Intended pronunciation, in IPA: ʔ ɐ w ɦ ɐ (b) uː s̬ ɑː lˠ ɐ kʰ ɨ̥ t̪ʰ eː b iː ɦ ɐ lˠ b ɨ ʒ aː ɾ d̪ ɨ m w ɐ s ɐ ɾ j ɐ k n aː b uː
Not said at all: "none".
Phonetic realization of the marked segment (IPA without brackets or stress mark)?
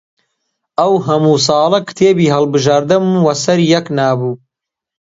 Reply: m